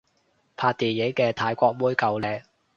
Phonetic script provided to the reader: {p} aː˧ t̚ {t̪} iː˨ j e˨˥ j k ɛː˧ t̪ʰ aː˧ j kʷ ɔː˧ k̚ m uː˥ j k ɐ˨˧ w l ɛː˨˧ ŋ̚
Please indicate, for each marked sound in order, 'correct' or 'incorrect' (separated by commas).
incorrect, correct